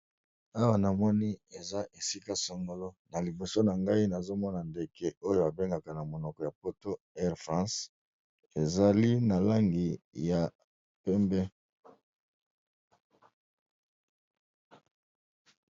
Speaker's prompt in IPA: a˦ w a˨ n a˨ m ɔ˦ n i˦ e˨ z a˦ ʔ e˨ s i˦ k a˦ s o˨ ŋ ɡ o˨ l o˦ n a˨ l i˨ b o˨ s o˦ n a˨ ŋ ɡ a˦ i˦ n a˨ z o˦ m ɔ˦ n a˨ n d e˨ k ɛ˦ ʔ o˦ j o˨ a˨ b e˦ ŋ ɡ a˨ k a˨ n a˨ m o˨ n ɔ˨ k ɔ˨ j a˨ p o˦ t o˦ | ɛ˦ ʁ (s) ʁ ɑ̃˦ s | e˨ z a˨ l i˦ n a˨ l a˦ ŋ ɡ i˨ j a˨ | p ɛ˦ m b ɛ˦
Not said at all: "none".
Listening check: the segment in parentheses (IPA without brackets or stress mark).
f